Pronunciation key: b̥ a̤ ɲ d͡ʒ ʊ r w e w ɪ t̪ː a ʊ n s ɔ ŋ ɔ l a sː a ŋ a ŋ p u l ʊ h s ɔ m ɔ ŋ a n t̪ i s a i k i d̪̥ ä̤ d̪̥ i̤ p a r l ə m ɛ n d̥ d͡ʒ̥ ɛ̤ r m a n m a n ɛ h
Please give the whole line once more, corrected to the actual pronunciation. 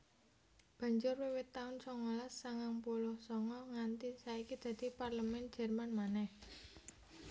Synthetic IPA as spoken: b̥ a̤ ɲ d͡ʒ ʊ r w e w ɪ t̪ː a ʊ n s ɔ ŋ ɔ l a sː a ŋ a ŋ p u l ʊ h s ɔ ŋ ɔ ŋ a n t̪ i s a i k i d̪̥ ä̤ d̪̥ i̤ p a r l ə m ɛ n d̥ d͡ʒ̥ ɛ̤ r m a n m a n ɛ h

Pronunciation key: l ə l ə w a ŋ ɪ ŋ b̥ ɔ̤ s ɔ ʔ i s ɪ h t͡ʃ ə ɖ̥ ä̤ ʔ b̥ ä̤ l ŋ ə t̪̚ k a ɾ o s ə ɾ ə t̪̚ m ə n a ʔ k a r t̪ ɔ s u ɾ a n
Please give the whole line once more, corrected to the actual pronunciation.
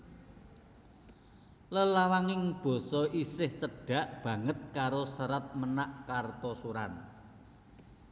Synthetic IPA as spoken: l ə l a w a ŋ ɪ ŋ b̥ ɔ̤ s ɔ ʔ i s ɪ h t͡ʃ ə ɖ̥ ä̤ ʔ b̥ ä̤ ŋ ə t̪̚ k a ɾ o s ə ɾ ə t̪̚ m ə n a ʔ k a r t̪ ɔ s u ɾ a n

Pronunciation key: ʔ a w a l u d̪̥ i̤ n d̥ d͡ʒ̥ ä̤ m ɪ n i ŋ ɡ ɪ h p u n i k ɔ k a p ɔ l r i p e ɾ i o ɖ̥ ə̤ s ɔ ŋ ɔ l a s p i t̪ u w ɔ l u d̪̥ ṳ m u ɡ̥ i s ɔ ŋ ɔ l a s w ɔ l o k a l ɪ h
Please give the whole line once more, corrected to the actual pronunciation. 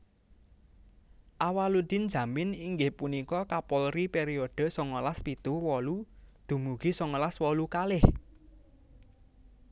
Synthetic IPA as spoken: ʔ a w a l u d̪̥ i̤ n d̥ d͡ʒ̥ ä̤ m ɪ n i ŋ ɡ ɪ h p u n i k ɔ k a p ɔ l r i p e ɾ i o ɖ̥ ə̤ s ɔ ŋ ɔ l a s p i t̪ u w ɔ l u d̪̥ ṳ m u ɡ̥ i s ɔ ŋ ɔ l a s w ɔ l u k a l ɪ h

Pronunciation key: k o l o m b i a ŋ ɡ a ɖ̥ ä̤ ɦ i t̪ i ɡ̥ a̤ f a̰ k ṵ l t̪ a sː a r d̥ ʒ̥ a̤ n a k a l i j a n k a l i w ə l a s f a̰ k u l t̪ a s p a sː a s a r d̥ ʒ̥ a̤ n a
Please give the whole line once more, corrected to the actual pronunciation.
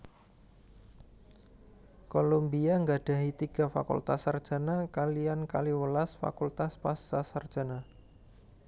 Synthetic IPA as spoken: k o l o m b i a ŋ ɡ a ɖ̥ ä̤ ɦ i t̪ i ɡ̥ a̤ f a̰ k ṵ l t̪ a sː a r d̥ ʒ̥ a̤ n a k a l i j a n k a l i w ə l a s f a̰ k u l t̪ a s p a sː a s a r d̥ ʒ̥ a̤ n a

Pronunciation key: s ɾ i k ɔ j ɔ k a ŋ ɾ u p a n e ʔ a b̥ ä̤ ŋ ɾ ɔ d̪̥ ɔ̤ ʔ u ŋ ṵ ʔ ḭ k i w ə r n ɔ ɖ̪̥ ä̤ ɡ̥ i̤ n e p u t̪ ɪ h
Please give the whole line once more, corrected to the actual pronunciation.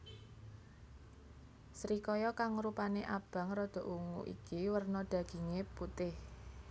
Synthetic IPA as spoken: s ɾ i k ɔ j ɔ k a ŋ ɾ u p a n e ʔ a b̥ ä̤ ŋ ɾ ɔ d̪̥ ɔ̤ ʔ u ŋ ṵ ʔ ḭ k i w ə r n ɔ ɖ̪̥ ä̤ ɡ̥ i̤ ŋ e p u t̪ ɪ h

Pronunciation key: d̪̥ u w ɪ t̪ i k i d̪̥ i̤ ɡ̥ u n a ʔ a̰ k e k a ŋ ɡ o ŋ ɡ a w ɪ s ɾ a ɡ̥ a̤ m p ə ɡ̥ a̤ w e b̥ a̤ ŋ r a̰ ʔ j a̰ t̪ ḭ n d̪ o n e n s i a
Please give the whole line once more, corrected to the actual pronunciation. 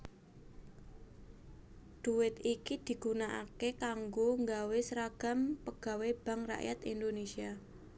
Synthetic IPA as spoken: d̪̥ u w ɪ t̪ i k i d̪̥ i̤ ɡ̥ u n a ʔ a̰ k e k a ŋ ɡ o ŋ ɡ a w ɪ s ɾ a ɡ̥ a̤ m p ə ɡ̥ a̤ w e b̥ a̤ ŋ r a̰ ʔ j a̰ t̪ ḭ n d̪ o n e s i a

